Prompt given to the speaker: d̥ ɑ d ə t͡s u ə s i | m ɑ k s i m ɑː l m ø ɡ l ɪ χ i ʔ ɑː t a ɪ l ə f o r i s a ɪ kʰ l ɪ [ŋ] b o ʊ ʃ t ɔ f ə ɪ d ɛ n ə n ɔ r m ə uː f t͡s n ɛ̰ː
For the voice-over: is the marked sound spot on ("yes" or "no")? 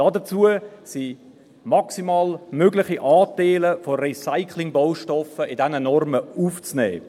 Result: yes